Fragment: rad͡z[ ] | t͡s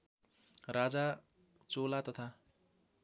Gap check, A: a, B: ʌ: A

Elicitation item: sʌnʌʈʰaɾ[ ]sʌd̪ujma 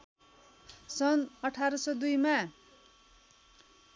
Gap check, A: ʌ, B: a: A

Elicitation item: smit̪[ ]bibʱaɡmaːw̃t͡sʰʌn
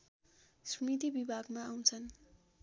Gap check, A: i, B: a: A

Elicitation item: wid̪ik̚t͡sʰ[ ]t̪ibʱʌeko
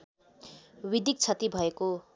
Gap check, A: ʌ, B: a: A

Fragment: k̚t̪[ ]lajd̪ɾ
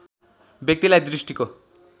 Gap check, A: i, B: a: A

